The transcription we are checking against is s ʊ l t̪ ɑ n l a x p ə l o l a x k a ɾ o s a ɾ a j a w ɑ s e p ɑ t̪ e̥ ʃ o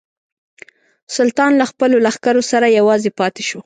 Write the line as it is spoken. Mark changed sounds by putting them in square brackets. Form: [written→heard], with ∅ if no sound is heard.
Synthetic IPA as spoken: s ʊ l t̪ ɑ n l a x p ə l o l a x k a ɾ o s a ɾ a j a w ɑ [s→z] e p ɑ t̪ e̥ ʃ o